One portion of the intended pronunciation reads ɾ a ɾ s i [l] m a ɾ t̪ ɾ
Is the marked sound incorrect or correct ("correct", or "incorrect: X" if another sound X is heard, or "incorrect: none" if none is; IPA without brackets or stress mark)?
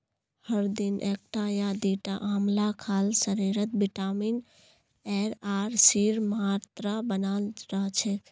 incorrect: ɾ